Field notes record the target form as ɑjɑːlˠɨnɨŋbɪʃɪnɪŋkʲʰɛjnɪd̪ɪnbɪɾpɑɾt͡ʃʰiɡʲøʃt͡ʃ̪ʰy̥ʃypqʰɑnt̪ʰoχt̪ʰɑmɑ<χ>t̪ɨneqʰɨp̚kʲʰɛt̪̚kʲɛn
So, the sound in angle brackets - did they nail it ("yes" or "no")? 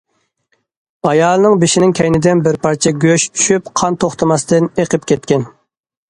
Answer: no